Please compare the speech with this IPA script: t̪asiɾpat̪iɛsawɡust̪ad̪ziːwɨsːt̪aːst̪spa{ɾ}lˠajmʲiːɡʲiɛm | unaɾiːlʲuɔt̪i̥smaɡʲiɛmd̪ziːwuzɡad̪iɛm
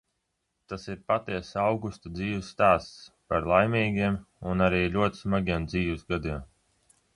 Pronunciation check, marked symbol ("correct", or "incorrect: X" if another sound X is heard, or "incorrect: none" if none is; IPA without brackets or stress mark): correct